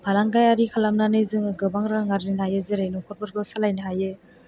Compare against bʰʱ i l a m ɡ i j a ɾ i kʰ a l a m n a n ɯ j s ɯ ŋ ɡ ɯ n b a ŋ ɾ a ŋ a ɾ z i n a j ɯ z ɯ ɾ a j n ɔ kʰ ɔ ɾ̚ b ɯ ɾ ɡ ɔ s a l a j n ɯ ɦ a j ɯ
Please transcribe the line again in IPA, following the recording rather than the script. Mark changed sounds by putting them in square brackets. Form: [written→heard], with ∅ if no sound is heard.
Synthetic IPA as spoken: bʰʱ [i→a] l a [m→ŋ] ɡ [i→a] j a ɾ i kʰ a l a m n a n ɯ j [s→z] ɯ ŋ ɡ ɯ [n→∅] b a ŋ ɾ a ŋ a ɾ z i n a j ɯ z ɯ ɾ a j n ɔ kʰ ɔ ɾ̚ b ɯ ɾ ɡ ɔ s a l a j n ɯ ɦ a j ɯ